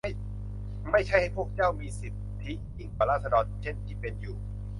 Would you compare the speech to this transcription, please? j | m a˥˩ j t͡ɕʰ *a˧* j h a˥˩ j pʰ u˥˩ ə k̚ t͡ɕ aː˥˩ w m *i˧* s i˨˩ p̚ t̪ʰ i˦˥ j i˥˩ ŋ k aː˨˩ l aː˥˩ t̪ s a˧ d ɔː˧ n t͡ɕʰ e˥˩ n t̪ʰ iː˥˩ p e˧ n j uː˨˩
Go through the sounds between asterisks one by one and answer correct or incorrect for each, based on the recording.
incorrect: a˥˩, incorrect: iː˧

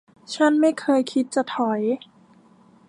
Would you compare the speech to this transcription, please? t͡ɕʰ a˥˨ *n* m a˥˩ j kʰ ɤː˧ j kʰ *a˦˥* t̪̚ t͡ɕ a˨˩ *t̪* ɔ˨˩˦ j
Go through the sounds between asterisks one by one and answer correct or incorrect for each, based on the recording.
correct, incorrect: i˦˥, incorrect: t̪ʰ

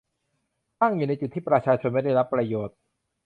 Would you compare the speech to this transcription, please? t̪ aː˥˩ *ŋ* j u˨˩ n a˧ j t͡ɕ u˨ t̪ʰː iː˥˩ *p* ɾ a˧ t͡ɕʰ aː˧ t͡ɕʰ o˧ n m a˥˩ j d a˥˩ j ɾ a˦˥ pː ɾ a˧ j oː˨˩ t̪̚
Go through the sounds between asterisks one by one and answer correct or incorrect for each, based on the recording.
correct, correct

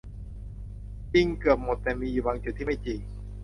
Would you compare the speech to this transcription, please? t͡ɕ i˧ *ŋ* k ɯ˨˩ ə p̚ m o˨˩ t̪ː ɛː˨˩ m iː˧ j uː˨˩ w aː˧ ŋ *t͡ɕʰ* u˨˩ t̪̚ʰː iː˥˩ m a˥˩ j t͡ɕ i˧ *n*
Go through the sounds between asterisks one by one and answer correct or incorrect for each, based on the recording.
correct, incorrect: t͡ɕ, incorrect: ŋ

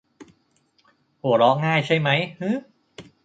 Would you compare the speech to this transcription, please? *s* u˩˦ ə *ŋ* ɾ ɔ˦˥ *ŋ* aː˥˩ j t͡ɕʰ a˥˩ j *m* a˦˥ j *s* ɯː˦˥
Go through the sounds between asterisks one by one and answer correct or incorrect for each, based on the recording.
incorrect: h, incorrect: none, correct, correct, incorrect: h

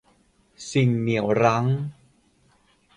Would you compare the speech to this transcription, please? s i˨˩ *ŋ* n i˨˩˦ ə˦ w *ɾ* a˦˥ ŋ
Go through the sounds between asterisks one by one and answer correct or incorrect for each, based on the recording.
correct, correct

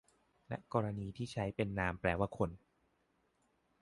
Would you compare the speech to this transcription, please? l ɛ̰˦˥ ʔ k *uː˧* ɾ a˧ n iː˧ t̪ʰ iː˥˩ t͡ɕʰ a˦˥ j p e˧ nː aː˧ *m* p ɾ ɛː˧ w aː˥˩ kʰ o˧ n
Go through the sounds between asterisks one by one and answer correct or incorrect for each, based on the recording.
incorrect: ɔː˧, correct

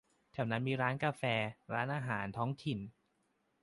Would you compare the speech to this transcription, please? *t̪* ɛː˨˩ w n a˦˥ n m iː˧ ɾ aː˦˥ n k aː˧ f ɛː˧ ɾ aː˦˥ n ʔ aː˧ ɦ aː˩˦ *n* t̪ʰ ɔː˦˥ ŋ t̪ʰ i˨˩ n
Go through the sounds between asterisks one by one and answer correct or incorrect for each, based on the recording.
incorrect: t̪ʰ, correct

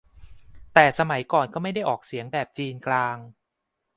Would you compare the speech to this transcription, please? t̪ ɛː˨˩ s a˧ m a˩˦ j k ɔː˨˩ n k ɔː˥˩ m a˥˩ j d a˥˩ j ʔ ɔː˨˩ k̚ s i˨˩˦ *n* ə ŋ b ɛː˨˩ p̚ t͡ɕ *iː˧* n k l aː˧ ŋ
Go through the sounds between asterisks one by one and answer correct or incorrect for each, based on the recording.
incorrect: none, correct

